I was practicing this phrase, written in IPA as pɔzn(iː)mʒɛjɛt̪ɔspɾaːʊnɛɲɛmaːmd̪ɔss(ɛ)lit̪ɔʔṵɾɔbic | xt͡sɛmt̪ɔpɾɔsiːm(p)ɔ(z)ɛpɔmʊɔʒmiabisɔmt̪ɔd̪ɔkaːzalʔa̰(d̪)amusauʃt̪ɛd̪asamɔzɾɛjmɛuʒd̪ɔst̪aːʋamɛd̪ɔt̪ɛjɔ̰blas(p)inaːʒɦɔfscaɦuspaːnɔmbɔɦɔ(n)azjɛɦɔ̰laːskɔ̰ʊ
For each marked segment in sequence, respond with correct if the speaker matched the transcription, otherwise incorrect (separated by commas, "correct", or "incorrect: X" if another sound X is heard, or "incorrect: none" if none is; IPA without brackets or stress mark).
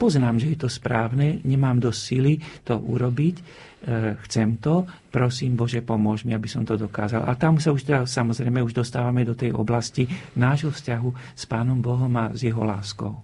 incorrect: aː, incorrect: i, incorrect: b, incorrect: ʒ, incorrect: t̪, incorrect: c, incorrect: m